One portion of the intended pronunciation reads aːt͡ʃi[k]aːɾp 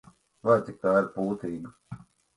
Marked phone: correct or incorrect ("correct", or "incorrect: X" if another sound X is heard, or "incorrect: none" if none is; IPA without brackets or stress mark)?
correct